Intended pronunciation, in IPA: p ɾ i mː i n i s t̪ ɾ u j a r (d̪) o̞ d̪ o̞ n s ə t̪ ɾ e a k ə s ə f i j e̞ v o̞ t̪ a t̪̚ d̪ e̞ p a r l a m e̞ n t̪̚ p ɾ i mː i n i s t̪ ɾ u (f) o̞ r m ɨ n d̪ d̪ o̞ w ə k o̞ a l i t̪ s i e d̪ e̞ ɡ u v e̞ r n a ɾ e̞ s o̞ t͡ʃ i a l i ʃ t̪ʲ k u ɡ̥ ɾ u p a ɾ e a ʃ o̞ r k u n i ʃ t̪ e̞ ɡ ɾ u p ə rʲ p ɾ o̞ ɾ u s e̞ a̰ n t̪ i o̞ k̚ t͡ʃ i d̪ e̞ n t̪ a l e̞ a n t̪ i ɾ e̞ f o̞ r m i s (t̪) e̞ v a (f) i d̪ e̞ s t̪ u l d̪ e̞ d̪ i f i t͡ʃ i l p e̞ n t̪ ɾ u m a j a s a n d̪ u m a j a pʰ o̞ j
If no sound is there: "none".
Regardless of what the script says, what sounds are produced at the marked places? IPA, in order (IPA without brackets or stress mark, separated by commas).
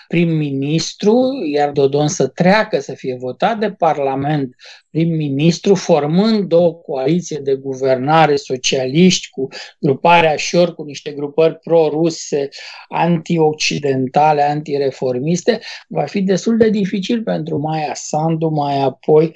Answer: d̪, f, t̪, f